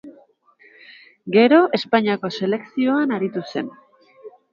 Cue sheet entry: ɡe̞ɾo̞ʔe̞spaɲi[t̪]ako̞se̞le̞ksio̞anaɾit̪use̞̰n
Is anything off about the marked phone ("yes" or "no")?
yes